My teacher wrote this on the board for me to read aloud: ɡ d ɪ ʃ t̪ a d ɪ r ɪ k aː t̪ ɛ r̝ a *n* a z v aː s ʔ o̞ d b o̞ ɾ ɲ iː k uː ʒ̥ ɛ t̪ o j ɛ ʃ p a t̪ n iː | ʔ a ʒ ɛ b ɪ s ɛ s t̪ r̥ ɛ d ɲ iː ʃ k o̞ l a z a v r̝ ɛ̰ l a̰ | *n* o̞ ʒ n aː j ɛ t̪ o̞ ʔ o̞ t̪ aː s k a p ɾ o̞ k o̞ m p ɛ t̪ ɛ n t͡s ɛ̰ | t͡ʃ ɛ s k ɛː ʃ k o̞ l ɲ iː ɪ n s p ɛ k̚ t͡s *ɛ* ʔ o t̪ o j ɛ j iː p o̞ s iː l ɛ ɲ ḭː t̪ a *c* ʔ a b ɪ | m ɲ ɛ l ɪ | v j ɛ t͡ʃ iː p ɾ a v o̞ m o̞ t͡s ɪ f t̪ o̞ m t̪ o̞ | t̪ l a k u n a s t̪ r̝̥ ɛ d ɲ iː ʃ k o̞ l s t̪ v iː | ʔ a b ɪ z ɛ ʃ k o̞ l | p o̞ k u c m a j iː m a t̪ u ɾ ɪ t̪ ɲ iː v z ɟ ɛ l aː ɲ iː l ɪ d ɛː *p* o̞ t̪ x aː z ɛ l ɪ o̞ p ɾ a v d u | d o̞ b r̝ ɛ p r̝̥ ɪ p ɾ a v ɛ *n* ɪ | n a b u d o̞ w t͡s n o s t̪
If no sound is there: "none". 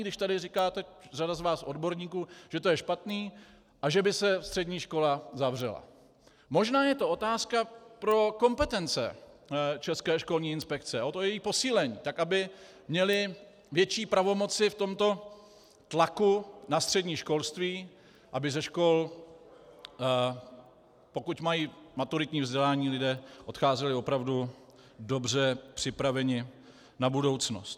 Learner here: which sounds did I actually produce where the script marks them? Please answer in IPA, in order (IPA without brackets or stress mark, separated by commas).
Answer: d, m, ɛ, k, ʔ, ɲ